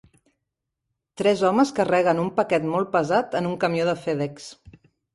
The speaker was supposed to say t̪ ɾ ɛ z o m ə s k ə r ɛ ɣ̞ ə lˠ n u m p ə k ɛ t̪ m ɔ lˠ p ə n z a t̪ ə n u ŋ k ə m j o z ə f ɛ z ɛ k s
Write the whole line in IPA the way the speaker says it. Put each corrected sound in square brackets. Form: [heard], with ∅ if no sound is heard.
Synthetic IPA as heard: t̪ ɾ ɛ z [ɔ] m ə s k ə r ɛ ɣ̞ ə [∅] n u m p ə k ɛ t̪ m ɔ lˠ p ə [∅] z a t̪ ə n u ŋ k ə m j o [ð] ə f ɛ [ð] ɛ k s